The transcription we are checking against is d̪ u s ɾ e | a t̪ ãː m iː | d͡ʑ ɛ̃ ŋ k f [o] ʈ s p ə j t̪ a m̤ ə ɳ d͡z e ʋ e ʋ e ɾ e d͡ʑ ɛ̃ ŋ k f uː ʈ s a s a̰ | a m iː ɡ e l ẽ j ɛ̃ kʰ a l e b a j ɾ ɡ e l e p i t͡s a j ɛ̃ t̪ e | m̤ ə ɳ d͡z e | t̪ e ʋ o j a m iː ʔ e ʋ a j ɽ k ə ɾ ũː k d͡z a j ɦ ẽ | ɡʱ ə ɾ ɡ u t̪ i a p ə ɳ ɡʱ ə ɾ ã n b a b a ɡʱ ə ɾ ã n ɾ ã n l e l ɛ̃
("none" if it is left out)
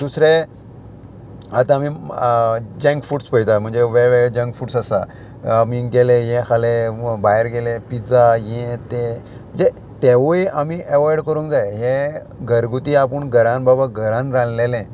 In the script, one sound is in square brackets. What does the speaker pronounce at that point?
u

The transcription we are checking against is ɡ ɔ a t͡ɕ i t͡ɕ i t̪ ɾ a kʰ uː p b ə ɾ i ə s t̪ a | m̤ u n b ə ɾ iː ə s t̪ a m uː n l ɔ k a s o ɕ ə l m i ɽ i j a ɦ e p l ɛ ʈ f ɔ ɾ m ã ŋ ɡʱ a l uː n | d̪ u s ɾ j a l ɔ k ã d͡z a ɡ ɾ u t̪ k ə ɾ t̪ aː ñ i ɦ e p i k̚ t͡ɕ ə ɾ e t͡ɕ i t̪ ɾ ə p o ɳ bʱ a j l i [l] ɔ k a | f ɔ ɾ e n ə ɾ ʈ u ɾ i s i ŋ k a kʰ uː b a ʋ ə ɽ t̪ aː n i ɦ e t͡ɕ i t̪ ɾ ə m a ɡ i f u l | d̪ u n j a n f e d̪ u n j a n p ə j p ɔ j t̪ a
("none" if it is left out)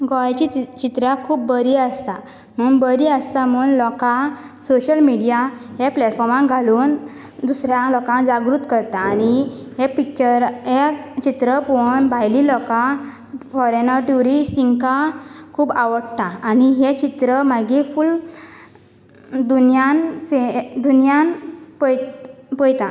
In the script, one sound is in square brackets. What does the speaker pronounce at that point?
l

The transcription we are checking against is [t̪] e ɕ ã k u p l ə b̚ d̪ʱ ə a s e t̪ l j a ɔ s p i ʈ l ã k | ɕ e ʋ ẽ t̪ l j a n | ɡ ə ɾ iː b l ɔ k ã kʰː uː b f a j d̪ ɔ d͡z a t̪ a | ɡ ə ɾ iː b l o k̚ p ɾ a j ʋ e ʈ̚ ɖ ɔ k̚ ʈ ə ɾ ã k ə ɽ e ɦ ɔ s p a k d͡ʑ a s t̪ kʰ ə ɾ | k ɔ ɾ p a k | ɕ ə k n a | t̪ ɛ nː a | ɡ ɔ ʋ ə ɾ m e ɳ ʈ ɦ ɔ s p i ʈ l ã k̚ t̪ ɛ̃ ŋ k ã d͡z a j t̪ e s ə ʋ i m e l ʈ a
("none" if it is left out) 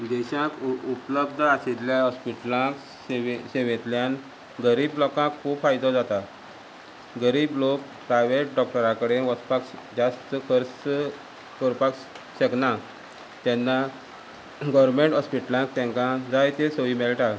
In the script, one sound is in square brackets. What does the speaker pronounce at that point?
d̪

